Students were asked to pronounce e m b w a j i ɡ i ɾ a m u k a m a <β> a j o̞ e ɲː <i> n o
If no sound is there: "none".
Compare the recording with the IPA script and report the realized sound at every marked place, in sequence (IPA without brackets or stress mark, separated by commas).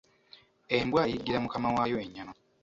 w, a